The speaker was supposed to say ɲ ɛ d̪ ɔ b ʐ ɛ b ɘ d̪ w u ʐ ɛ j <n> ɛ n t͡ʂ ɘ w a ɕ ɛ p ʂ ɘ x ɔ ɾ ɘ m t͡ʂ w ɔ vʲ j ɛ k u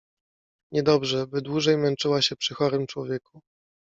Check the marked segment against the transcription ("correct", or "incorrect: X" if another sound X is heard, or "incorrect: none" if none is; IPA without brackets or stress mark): incorrect: m